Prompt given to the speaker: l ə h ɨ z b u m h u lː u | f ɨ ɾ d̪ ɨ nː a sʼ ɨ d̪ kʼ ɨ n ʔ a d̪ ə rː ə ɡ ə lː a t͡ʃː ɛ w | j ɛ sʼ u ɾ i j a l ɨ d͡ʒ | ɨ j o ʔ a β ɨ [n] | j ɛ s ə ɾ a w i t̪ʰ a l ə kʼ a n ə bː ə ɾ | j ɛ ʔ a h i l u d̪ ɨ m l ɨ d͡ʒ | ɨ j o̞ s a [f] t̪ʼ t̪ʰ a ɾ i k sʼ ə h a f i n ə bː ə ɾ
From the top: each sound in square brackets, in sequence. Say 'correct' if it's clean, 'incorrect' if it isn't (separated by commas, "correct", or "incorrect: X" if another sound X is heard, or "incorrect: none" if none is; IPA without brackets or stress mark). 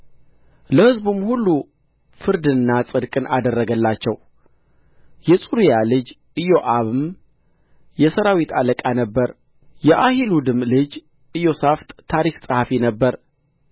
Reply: incorrect: m, correct